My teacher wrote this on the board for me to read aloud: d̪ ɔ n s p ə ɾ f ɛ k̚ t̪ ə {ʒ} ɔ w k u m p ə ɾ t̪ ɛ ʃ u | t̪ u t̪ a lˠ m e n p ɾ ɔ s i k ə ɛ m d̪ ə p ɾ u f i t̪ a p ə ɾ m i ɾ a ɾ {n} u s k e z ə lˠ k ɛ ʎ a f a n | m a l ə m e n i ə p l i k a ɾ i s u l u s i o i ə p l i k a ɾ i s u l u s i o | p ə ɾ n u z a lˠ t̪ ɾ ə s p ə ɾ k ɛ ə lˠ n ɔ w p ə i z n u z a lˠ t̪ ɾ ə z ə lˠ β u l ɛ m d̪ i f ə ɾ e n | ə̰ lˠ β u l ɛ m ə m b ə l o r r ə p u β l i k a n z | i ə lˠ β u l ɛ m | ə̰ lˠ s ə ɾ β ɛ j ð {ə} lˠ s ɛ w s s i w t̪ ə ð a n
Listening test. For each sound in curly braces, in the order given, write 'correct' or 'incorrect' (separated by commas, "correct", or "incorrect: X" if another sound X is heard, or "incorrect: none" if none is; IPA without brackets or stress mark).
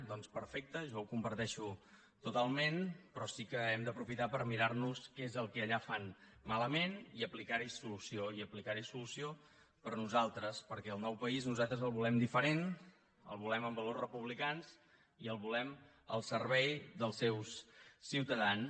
correct, correct, correct